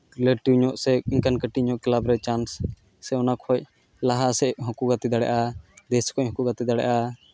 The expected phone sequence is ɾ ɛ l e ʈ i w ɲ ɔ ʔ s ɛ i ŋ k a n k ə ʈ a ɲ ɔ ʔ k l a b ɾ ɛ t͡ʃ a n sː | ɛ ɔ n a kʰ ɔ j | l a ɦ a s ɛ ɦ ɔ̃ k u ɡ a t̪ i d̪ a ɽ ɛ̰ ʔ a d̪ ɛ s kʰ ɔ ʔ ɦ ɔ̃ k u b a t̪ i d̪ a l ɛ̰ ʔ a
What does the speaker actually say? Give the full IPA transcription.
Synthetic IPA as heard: ɾ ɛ l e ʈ i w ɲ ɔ ʔ s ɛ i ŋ k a n k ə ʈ i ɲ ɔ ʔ k l a b ɾ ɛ t͡ʃ a n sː | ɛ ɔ n a kʰ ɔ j | l a ɦ a s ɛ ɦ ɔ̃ k u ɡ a t̪ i d̪ a ɽ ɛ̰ ʔ a d̪ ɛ s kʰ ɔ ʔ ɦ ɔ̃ k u ɡ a t̪ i d̪ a ɽ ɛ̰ ʔ a